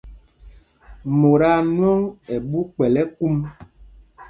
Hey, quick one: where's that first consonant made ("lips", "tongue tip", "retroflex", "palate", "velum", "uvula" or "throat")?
lips